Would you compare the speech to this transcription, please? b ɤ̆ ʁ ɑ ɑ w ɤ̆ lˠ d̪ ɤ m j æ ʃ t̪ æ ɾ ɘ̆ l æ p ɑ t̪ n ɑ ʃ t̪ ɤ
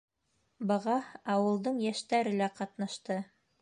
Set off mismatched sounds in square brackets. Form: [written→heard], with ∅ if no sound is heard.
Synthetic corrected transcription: b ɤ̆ ʁ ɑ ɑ w ɤ̆ lˠ d̪ ɤ [m→ɴ] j æ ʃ t̪ æ ɾ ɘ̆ l æ [p→q] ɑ t̪ n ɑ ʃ t̪ ɤ

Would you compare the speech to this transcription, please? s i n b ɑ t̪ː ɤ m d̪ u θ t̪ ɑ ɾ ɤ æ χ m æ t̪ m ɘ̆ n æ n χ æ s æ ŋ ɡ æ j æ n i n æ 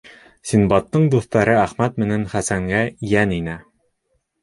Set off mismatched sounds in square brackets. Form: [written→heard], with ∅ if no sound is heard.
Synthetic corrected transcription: s i n b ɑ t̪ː ɤ [m→ɴ] d̪ u θ t̪ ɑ ɾ ɤ æ χ m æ t̪ m ɘ̆ n æ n χ æ s æ ŋ ɡ æ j æ n i n æ

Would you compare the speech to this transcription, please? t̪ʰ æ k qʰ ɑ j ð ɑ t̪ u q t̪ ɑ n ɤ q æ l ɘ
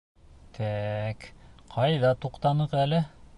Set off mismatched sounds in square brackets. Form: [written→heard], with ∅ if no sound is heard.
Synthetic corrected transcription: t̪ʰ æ k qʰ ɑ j ð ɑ t̪ u q t̪ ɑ n ɤ q æ l ɘ

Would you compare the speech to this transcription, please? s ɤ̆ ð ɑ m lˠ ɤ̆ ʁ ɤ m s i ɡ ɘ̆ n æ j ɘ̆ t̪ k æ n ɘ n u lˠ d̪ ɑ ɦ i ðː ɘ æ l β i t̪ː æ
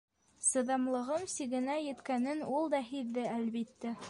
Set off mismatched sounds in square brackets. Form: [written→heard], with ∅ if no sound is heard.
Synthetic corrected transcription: s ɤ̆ ð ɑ m lˠ ɤ̆ ʁ ɤ m s i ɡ ɘ̆ n æ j ɘ̆ t̪ k æ n ɘ n u lˠ d̪ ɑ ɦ i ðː ɘ æ l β i t̪ː æ

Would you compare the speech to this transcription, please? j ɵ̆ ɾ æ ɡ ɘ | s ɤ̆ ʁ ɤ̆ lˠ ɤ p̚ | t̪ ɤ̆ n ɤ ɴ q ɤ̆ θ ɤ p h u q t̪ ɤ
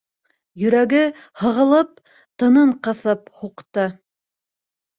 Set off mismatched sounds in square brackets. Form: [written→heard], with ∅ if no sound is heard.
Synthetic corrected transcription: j ɵ̆ ɾ æ ɡ ɘ | [s→h] ɤ̆ ʁ ɤ̆ lˠ ɤ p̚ | t̪ ɤ̆ n ɤ ɴ q ɤ̆ θ ɤ p h u q t̪ ɤ

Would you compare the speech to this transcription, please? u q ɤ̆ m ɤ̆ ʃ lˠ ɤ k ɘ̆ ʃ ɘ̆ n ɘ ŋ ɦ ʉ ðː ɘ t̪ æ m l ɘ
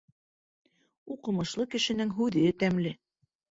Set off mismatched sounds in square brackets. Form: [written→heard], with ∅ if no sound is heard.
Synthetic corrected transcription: u q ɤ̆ m ɤ̆ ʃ lˠ ɤ k ɘ̆ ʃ ɘ̆ n ɘ ŋ ɦ ʉ [ðː→ð] ɘ t̪ æ m l ɘ

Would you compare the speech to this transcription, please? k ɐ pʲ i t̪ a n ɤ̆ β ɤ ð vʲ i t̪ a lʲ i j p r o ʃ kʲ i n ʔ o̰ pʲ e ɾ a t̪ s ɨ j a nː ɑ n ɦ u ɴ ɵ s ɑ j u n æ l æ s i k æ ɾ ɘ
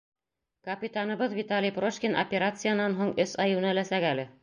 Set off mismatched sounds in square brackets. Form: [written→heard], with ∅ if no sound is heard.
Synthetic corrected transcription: k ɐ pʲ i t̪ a n ɤ̆ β ɤ ð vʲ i t̪ a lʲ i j p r o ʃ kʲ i n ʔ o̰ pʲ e ɾ a t̪ s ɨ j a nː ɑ n ɦ u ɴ ɵ s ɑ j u n æ l æ s [i→æ] k æ [ɾ→l] ɘ

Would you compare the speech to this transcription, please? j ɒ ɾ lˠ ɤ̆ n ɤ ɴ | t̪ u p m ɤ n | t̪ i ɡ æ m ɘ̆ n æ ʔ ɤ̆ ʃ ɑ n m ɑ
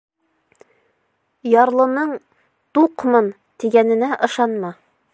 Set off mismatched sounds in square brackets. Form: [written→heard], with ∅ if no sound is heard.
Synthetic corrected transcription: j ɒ ɾ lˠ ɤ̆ n ɤ ɴ | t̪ u [p→q] m ɤ n | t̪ i ɡ æ [m→n] ɘ̆ n æ ʔ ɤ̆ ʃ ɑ n m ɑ

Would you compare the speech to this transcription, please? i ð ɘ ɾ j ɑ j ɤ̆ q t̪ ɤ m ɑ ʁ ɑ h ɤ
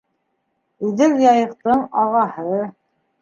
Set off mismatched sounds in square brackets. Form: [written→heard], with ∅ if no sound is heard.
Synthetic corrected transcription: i ð ɘ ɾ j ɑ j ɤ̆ q t̪ ɤ [m→ɴ] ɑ ʁ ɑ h ɤ

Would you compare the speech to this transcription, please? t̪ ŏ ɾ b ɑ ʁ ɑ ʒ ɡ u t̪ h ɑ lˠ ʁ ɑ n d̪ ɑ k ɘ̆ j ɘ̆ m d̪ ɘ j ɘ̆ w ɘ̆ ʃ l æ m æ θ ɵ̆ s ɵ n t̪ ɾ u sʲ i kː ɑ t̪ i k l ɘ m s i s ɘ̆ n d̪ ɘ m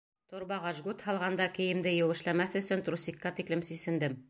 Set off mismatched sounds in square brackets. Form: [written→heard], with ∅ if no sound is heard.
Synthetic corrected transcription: t̪ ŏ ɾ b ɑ ʁ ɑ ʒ ɡ u t̪ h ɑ lˠ ʁ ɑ n d̪ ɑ k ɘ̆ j ɘ̆ m d̪ ɘ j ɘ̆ w ɘ̆ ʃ l æ m æ θ ɵ̆ s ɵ n t̪ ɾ u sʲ i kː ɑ t̪ i k l ɘ m s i s ɘ̆ n d̪ ɘ m

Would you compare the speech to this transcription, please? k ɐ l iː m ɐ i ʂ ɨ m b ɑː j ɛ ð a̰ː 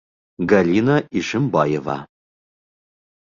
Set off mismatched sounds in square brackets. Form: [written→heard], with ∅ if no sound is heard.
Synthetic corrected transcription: [k→ɡ] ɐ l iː [m→n] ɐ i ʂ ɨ m b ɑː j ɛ [ð→v] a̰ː

